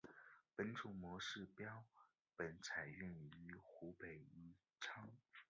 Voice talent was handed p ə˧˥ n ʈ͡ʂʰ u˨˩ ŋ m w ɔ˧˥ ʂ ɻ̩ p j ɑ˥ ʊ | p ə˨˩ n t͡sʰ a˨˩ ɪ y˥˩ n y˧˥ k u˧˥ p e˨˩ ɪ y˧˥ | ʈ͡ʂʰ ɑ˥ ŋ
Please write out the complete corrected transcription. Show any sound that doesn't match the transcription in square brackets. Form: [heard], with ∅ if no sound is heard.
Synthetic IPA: p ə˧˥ n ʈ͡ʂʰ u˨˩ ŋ m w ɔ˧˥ ʂ ɻ̩ p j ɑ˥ ʊ | p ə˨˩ n t͡sʰ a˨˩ ɪ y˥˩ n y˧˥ [x] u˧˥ p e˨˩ ɪ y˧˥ | ʈ͡ʂʰ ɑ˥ ŋ